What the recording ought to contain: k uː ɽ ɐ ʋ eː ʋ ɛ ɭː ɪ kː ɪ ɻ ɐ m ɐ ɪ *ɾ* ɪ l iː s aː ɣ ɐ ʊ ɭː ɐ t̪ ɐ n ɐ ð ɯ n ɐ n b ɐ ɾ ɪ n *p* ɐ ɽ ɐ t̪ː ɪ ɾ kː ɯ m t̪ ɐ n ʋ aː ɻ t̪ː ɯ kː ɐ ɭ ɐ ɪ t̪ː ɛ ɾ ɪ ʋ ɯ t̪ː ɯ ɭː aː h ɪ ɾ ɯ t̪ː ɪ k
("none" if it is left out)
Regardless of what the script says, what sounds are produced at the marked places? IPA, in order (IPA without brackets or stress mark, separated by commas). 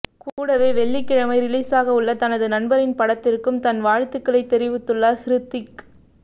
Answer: ɾ, p